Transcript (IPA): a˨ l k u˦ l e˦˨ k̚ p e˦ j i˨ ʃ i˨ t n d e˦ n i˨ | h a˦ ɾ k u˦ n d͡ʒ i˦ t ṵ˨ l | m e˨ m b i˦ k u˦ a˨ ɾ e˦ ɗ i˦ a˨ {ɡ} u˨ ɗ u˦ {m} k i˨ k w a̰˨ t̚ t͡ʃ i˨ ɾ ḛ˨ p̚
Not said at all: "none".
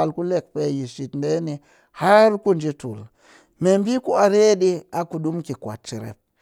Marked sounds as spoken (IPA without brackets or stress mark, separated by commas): k, m